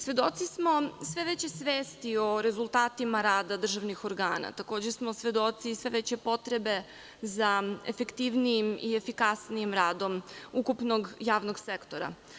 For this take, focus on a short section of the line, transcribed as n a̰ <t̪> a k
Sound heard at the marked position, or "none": t̪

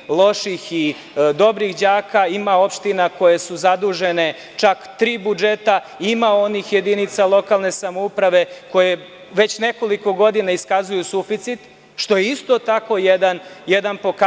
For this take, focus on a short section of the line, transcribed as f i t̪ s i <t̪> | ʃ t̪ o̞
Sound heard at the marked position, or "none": t̪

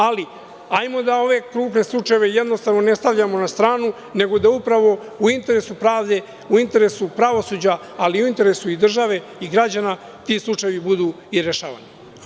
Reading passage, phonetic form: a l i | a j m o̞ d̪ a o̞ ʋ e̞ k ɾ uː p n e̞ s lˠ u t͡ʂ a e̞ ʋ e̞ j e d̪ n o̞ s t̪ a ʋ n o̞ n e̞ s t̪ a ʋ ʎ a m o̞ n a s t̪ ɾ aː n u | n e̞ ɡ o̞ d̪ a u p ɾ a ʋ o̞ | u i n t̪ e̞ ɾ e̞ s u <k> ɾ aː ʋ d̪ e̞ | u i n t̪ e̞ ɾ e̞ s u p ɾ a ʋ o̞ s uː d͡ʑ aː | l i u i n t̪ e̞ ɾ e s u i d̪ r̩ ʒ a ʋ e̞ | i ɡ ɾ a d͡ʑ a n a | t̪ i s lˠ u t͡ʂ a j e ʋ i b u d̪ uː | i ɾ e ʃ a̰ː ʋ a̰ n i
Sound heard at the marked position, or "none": p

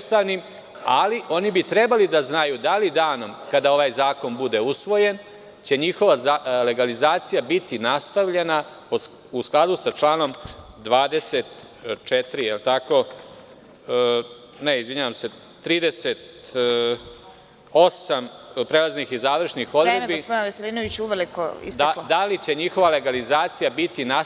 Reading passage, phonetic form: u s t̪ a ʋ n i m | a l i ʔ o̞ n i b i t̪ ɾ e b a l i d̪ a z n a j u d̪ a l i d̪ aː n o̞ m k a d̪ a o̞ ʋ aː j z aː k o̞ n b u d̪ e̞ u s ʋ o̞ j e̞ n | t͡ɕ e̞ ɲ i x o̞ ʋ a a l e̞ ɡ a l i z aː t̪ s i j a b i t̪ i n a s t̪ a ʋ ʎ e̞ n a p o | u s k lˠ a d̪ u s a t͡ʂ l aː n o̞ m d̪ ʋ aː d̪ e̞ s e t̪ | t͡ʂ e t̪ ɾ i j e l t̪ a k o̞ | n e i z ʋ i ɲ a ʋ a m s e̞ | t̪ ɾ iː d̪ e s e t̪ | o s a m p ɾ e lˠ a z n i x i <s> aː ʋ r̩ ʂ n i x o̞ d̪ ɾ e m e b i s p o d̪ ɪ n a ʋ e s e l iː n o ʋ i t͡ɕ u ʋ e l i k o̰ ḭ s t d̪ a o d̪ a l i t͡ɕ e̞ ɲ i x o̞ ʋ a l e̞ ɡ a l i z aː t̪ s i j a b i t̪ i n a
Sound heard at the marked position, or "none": z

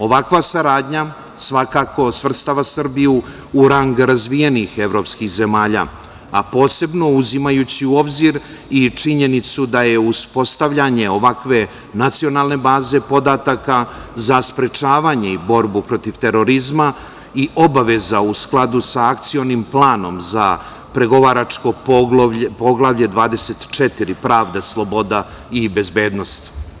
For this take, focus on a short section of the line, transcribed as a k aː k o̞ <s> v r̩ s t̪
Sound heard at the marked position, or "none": s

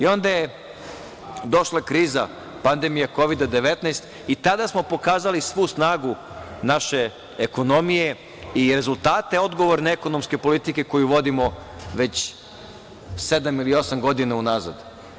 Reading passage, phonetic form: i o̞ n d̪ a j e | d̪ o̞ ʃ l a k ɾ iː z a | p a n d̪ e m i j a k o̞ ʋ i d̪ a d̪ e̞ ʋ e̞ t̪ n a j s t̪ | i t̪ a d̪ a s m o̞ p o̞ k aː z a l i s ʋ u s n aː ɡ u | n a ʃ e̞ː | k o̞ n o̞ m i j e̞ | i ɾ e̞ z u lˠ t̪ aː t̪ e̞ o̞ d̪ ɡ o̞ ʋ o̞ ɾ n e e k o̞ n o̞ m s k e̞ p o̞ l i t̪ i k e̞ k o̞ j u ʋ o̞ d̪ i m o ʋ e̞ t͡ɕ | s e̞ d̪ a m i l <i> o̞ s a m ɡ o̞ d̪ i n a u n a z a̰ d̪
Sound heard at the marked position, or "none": i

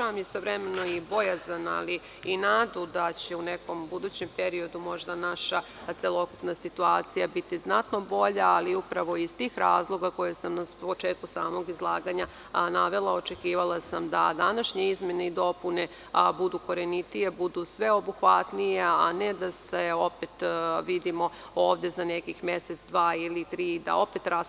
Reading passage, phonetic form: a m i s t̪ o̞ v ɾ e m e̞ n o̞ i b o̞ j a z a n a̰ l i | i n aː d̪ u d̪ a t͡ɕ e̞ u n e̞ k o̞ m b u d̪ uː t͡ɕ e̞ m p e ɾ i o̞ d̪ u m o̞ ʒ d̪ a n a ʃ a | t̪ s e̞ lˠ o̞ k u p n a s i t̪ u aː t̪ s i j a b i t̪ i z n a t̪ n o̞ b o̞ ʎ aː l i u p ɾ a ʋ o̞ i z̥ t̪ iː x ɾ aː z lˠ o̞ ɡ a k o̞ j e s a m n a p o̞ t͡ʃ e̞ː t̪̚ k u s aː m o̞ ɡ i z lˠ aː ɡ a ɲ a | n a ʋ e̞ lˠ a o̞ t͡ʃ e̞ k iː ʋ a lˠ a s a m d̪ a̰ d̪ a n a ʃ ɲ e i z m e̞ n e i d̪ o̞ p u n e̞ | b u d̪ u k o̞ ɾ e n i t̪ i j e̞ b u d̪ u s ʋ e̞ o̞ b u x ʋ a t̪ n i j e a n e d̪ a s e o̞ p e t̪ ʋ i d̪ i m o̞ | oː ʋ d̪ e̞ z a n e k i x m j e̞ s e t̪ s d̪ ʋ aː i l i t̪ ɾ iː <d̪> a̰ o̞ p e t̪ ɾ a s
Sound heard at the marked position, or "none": d̪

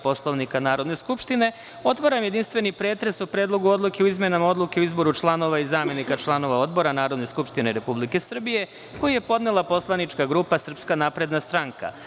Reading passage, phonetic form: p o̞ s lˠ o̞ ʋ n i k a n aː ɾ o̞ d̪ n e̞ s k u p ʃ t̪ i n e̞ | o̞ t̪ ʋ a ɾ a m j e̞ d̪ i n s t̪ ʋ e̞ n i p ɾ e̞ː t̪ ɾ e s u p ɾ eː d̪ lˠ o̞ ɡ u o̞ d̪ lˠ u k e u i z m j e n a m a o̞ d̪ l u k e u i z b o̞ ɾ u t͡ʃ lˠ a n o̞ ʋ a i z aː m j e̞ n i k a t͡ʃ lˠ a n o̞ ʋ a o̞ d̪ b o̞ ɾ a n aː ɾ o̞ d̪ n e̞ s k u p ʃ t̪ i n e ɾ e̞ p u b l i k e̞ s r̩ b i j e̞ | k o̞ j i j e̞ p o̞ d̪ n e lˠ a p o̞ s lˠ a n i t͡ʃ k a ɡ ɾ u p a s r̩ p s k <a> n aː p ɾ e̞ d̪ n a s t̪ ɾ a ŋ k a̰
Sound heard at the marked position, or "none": a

